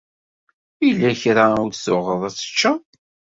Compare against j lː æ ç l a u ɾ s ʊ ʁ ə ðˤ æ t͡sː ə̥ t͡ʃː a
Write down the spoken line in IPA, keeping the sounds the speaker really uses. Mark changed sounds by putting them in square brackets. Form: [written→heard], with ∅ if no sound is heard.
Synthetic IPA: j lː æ ç [l→ɾ] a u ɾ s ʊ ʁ ə ðˤ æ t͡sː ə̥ t͡ʃː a

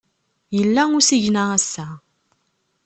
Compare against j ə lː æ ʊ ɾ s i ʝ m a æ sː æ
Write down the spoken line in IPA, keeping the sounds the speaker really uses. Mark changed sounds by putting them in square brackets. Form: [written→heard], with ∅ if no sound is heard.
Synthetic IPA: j ə lː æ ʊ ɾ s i ʝ [m→n] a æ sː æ

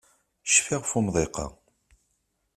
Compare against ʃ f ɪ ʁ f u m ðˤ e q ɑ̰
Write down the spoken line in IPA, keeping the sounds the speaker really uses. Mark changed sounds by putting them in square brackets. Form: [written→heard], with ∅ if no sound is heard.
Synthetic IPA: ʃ f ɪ ʁ f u m ðˤ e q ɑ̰

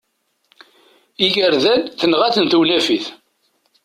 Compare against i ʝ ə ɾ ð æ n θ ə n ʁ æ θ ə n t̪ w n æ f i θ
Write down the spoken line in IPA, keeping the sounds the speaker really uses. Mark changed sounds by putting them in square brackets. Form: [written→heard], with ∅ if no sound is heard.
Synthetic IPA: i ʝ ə ɾ ð æ n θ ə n ʁ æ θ ə n t̪ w n æ f i θ

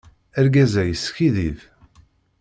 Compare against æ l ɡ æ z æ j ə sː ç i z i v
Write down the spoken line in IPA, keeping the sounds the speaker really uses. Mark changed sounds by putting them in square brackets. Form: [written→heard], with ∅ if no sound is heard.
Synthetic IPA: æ [l→ɾ] ɡ æ z æ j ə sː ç i [z→ð] i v

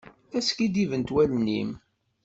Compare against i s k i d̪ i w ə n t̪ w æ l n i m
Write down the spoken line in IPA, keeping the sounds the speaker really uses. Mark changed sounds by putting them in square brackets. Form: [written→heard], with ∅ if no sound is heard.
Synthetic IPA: [i→æ] s k i d̪ i [w→v] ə n t̪ w æ l n i m

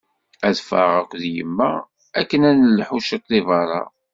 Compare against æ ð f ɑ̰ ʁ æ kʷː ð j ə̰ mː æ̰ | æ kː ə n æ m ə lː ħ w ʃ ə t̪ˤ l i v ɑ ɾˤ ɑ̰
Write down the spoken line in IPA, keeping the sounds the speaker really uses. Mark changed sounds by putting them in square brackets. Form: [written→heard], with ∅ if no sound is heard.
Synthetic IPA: æ ð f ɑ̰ ʁ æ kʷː ð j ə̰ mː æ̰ | æ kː ə n æ [m→n] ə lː ħ [w→u] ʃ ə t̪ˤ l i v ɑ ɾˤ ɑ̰

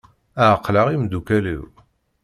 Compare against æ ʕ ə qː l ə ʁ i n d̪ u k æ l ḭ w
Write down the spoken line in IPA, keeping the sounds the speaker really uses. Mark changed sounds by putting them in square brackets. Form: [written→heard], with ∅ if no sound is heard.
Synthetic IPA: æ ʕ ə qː l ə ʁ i [n→m] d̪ u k æ l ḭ w

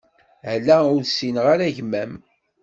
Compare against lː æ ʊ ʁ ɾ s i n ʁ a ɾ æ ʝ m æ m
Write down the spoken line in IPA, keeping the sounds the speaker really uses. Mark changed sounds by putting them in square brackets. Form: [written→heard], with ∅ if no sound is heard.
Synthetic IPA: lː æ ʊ [ʁ→∅] ɾ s i n ʁ a ɾ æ ʝ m æ m

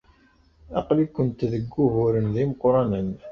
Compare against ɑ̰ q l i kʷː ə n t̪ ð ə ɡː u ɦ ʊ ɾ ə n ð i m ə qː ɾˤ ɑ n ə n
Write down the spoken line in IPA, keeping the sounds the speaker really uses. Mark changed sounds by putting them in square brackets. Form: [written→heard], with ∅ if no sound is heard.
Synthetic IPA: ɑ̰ q l i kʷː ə n t̪ ð ə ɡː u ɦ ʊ ɾ ə n ð i m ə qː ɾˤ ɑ n ə n

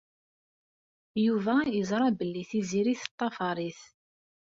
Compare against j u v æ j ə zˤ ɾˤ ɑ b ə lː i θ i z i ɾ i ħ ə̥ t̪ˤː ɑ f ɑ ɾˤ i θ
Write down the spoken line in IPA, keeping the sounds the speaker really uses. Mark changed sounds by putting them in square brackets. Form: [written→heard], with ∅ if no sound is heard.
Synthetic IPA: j u v æ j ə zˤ ɾˤ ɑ b ə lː i θ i z i ɾ i [ħ→θ] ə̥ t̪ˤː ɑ f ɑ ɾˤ i θ

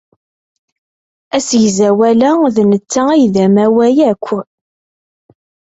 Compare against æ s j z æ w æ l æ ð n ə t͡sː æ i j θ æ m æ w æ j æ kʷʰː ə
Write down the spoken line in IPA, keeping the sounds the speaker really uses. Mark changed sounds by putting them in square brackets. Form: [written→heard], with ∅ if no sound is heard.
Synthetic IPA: æ s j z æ w æ l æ ð n ə t͡sː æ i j [θ→ð] æ m æ w æ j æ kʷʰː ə

